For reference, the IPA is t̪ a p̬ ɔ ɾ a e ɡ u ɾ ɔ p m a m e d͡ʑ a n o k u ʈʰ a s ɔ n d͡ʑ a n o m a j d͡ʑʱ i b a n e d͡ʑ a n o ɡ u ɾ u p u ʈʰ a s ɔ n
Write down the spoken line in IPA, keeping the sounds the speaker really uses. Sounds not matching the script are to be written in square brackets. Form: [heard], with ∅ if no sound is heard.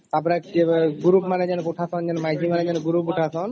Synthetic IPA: t̪ a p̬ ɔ ɾ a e ɡ u ɾ [u] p m a [n] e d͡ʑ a n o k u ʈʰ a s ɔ n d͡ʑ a n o m a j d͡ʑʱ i [m] a n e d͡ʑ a n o ɡ u ɾ u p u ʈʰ a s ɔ n